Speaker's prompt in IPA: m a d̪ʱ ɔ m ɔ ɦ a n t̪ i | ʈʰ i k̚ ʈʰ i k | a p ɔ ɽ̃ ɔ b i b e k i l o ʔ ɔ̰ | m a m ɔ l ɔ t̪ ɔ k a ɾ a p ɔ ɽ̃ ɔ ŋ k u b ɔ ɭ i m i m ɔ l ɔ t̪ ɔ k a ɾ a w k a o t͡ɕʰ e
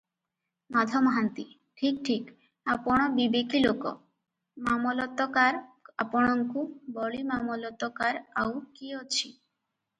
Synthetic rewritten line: m a d̪ʱ ɔ m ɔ ɦ a n t̪ i | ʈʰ i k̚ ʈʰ i k | a p ɔ ɽ̃ ɔ b i b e k i l o k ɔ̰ | m a m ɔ l ɔ t̪ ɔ k a ɾ a p ɔ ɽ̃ ɔ ŋ k u b ɔ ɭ i m a m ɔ l ɔ t̪ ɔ k a ɾ a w k i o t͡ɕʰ i

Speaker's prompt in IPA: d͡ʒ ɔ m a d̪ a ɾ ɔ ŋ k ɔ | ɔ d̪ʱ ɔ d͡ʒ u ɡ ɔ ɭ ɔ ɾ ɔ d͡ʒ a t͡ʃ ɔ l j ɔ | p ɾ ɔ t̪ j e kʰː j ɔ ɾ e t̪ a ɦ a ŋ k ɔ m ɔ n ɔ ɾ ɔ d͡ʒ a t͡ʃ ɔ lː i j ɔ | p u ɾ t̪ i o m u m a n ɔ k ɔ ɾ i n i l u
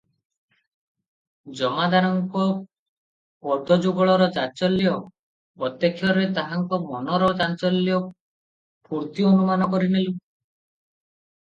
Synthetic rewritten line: d͡ʒ ɔ m a d̪ a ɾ ɔ ŋ k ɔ | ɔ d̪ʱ ɔ d͡ʒ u ɡ ɔ ɭ ɔ ɾ ɔ d͡ʒ a t͡ʃ ɔ l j ɔ | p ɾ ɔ t̪ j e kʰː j ɔ ɾ e t̪ a ɦ a ŋ k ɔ m ɔ n ɔ ɾ ɔ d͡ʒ a t͡ʃ ɔ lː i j ɔ | p u ɾ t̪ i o n u m a n ɔ k ɔ ɾ i n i l u

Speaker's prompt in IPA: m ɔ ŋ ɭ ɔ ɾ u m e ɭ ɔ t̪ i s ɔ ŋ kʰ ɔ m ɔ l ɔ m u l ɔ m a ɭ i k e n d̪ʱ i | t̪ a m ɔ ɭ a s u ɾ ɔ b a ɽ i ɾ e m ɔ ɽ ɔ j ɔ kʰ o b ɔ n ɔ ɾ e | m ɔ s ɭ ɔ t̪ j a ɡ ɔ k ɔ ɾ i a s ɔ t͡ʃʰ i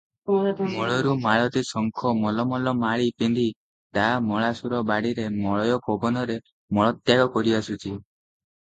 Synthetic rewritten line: m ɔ ɭ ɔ ɾ u m a ɭ ɔ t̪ i s ɔ ŋ kʰ ɔ m ɔ l ɔ m ɔ l ɔ m a ɭ i p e n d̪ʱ i | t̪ a m ɔ ɭ a s u ɾ ɔ b a ɽ i ɾ e m ɔ ɭ ɔ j ɔ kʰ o b ɔ n ɔ ɾ e | m ɔ ɭ ɔ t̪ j a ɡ ɔ k ɔ ɾ i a s u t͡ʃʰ i

